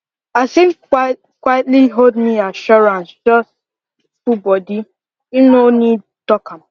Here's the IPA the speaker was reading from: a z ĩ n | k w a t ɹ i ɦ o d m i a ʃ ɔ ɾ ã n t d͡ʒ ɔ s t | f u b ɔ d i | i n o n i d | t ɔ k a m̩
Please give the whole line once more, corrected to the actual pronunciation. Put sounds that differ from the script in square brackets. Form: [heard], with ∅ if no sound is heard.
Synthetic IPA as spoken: a [s] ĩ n | k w a t [l] i ɦ o d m i a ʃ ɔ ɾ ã n [s] d͡ʒ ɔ s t | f u b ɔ d i | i n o n i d | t ɔ k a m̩